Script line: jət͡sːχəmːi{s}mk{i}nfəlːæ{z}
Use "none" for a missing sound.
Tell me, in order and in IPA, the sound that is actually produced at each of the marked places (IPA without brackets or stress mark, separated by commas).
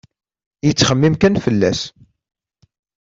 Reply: none, æ, s